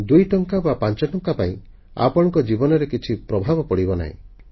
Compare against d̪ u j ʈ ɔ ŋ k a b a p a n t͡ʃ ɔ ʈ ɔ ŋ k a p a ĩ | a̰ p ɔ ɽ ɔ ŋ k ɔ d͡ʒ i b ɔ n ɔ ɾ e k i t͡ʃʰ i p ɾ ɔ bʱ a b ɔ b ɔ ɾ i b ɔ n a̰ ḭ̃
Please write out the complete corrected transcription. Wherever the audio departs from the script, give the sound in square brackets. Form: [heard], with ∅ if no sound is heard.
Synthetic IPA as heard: d̪ u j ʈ ɔ ŋ k a b a p a n t͡ʃ ɔ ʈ ɔ ŋ k a p a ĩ | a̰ p ɔ ɽ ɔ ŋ k ɔ d͡ʒ i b ɔ n ɔ ɾ e k i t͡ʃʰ i p ɾ ɔ bʱ a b ɔ [p] ɔ [ɽ] i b ɔ n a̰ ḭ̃